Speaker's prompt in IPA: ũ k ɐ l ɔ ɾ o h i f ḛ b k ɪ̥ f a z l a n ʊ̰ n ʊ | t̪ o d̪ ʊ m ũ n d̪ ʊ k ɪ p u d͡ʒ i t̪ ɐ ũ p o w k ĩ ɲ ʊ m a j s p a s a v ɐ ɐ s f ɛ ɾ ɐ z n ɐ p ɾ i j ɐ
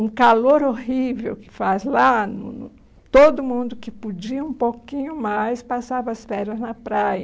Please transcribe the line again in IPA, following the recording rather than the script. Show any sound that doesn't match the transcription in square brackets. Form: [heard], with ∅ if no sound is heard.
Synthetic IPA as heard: ũ k [a] l [o] ɾ o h i [v] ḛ [w] k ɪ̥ f a z l a n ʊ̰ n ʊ | t̪ o d̪ ʊ m ũ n d̪ ʊ k ɪ p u d͡ʒ i [∅] ɐ ũ p o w k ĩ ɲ ʊ m a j s p a s a v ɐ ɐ s f ɛ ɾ ɐ z n ɐ p ɾ [a] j ɐ